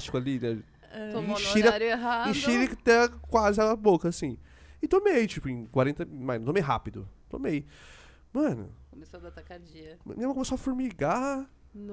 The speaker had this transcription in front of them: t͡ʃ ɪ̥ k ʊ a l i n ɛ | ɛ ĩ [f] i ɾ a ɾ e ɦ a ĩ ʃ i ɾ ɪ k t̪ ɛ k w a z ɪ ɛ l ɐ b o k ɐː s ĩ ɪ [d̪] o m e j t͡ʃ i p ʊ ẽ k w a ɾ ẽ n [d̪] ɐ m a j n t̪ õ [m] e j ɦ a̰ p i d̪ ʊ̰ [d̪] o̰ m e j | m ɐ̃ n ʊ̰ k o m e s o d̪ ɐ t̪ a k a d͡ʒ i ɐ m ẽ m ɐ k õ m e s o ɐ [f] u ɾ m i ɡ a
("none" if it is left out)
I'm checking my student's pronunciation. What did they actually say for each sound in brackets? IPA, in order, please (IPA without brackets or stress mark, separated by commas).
ʃ, t̪, t̪, m, t̪, f